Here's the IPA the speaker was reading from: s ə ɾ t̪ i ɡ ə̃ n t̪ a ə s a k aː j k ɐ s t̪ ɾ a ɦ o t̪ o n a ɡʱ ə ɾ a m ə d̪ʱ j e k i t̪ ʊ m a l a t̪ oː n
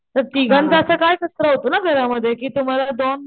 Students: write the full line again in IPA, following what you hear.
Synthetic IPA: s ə ɾ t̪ i ɡ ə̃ n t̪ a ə s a k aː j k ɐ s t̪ ɾ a ɦ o t̪ o n a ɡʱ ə ɾ a m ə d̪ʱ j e k i t̪ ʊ m a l a d̪ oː n